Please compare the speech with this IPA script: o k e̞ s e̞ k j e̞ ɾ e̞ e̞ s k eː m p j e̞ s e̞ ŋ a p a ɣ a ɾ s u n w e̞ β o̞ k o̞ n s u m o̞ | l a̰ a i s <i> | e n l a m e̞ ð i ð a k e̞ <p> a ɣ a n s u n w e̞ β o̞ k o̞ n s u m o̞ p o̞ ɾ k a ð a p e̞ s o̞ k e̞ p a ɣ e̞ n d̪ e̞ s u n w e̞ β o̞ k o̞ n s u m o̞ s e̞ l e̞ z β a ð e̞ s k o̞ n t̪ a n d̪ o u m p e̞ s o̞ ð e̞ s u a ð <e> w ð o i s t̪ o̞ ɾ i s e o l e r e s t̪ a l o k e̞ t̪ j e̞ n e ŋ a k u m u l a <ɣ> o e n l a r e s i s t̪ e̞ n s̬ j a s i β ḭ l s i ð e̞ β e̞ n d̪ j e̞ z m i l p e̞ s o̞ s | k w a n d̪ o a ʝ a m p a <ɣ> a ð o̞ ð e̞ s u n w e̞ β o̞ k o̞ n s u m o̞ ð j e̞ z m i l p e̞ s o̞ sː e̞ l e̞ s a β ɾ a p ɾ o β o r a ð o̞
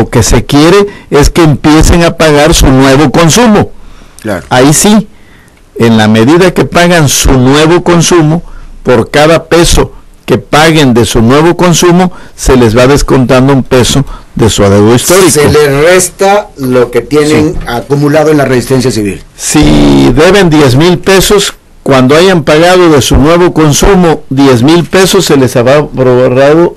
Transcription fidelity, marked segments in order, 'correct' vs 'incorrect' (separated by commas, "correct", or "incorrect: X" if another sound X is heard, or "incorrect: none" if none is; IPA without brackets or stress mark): correct, correct, correct, incorrect: ð, correct